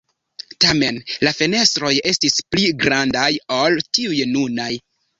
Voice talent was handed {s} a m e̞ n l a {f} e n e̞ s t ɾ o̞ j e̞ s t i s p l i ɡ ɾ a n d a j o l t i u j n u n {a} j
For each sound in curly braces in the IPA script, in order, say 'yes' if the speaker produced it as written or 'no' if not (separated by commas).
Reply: no, yes, yes